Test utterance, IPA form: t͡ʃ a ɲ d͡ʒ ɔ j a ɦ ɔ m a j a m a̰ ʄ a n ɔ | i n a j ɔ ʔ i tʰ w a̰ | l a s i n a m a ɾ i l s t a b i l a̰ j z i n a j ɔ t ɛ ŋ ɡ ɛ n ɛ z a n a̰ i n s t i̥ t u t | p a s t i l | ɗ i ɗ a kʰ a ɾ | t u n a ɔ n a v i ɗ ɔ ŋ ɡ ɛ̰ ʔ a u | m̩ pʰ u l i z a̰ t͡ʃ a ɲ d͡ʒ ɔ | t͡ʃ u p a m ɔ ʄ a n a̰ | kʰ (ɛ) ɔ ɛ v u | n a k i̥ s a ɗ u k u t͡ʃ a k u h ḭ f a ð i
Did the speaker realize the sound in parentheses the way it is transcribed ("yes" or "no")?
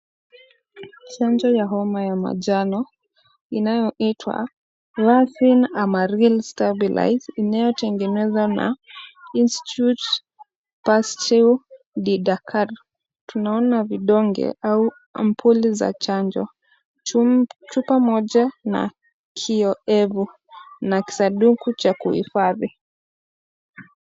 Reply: no